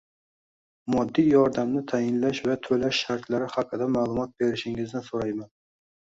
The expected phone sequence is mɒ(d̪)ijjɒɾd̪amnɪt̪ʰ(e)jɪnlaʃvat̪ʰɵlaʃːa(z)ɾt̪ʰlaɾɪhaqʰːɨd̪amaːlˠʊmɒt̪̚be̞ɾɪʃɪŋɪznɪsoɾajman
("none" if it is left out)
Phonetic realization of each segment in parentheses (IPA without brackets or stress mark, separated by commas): d̪ː, a, none